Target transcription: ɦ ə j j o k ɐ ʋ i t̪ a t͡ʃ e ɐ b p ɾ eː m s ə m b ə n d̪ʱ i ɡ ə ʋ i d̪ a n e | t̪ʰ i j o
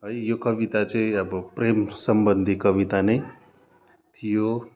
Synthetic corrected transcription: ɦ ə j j o k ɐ ʋ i t̪ a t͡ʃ e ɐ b p ɾ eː m s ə m b ə n d̪ʱ i k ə ʋ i t̪ a n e | t̪ʰ i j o

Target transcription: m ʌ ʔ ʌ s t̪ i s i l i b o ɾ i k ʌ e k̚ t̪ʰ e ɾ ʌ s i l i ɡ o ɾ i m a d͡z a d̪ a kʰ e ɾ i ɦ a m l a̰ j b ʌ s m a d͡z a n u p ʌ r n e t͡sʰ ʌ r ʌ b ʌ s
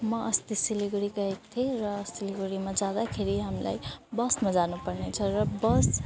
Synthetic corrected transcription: m ʌ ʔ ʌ s t̪ i s i l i ɡ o ɾ i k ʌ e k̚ t̪ʰ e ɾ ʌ s i l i ɡ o ɾ i m a d͡z a d̪ a kʰ e ɾ i ɦ a m l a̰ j b ʌ s m a d͡z a n u p ʌ r n e t͡sʰ ʌ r ʌ b ʌ s

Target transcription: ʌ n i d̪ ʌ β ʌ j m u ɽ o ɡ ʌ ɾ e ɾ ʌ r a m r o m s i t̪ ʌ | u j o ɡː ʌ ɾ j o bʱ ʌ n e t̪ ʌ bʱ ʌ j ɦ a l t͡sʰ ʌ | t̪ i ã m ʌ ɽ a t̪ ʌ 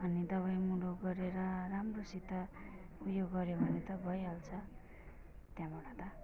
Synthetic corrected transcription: ʌ n i d̪ ʌ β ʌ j m u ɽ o ɡ ʌ ɾ e ɾ ʌ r a m r o s i t̪ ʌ | u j o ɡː ʌ ɾ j o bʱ ʌ n e t̪ ʌ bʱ ʌ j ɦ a l t͡sʰ ʌ | t̪ j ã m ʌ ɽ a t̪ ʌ

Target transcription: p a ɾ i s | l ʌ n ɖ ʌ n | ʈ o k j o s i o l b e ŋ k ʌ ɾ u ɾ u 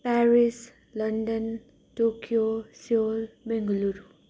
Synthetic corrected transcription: p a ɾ i s | l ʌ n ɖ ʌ n | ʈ o k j o s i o l b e ŋ ɡ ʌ l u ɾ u

